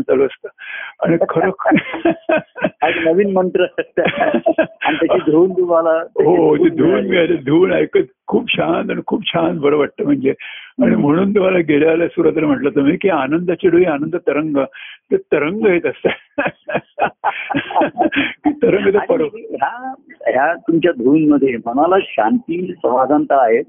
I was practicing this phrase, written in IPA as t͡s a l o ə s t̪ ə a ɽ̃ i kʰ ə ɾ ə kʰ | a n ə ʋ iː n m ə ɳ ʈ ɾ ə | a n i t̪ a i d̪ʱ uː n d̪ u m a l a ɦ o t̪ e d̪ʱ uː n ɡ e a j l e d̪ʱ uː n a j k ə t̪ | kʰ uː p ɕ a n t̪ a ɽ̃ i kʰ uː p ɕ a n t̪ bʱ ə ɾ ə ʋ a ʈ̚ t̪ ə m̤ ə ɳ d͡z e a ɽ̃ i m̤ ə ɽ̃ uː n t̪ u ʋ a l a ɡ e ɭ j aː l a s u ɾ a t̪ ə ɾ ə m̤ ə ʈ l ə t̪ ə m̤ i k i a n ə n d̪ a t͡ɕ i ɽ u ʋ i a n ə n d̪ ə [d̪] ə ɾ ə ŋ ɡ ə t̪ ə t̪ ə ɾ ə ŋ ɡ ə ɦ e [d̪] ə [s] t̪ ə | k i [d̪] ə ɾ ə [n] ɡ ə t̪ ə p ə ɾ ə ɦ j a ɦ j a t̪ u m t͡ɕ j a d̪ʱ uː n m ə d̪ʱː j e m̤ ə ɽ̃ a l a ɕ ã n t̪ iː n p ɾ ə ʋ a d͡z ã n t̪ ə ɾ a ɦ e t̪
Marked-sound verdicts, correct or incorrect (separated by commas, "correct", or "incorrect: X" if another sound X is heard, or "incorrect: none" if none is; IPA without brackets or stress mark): incorrect: t̪, incorrect: t̪, correct, incorrect: t̪, incorrect: ŋ